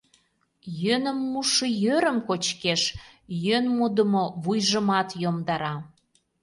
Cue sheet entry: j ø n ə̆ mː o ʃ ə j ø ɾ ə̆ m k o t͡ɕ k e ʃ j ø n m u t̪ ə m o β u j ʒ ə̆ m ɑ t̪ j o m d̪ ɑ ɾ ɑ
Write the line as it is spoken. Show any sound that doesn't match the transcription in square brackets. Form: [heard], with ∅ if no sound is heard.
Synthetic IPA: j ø n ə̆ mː [u] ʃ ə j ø ɾ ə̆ m k o t͡ɕ k e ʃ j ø n m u [d̪] ə m o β u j ʒ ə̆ m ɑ t̪ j o m d̪ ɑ ɾ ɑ